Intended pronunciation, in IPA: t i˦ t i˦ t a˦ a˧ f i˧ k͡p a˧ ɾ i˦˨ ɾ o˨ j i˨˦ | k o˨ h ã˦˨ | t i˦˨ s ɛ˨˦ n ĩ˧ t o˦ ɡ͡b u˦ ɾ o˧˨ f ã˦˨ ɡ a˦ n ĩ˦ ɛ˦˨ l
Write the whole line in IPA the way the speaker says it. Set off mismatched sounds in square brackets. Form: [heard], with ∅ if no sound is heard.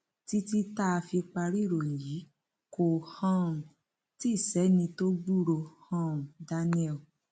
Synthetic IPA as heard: t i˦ t i˦ t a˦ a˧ f i˧ k͡p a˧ ɾ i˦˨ ɾ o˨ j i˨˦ | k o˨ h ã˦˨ | t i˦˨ s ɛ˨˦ n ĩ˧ t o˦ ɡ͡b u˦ ɾ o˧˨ [h] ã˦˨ [d] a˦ n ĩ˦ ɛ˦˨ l